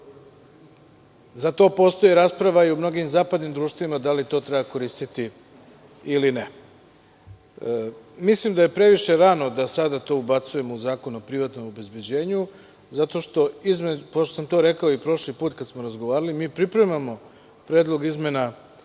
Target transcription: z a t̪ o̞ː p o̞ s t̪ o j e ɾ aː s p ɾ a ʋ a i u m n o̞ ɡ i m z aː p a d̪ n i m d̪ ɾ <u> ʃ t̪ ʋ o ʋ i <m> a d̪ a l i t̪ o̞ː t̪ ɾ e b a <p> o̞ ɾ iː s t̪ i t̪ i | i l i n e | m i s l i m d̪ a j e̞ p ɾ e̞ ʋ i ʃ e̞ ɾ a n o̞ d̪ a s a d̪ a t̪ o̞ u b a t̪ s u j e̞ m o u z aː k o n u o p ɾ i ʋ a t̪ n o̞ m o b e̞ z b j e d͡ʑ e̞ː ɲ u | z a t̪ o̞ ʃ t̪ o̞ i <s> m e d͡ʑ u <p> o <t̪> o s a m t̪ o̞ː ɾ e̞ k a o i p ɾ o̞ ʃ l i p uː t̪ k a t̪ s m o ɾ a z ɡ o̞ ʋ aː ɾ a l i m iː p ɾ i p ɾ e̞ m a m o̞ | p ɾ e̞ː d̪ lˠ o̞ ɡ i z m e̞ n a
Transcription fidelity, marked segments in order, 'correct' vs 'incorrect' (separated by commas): incorrect, correct, incorrect, incorrect, correct, correct